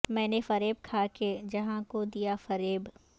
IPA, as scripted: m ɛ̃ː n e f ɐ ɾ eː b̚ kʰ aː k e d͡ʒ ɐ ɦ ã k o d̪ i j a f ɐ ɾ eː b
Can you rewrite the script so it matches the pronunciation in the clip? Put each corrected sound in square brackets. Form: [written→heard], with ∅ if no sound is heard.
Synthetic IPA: m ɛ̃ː n e f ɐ ɾ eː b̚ kʰ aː k e d͡ʒ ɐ ɦ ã k o d̪ i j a f ɐ ɾ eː b